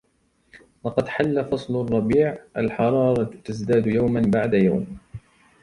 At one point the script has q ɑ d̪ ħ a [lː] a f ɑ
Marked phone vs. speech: correct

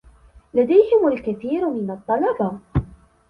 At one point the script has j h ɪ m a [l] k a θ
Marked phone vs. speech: correct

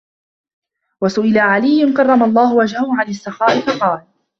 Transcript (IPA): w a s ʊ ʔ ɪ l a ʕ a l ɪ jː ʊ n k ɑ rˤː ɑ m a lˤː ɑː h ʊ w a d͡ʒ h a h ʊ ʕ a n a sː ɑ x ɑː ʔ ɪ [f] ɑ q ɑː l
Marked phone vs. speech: correct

